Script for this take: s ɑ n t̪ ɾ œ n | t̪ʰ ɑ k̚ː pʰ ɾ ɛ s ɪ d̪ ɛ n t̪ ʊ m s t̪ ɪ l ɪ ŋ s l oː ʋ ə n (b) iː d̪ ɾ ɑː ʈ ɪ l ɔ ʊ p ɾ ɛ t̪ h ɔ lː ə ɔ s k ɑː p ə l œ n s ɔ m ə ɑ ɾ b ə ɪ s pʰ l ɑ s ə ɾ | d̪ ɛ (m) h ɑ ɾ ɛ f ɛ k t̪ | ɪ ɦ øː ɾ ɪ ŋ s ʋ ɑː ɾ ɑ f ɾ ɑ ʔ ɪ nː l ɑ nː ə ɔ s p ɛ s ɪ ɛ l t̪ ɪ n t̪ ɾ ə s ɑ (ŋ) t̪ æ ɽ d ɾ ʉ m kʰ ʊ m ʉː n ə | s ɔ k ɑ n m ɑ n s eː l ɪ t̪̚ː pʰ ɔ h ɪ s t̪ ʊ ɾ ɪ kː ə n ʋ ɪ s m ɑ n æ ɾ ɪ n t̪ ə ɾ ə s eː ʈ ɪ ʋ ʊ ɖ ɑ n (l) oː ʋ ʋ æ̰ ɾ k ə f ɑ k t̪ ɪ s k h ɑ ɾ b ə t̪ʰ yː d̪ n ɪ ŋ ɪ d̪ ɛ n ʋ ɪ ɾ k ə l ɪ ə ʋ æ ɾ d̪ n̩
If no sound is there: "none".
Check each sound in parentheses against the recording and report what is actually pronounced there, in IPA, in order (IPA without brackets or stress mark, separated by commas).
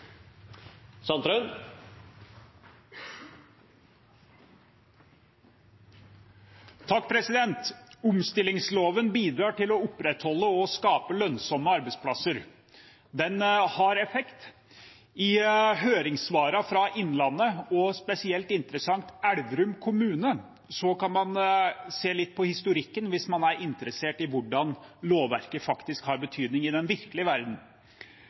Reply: b, n, ŋ, l